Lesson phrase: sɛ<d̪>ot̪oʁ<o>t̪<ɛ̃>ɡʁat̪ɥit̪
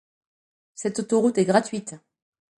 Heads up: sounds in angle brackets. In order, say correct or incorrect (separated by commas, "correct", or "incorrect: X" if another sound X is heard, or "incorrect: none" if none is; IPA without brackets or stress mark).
incorrect: t̪, incorrect: u, incorrect: ɛ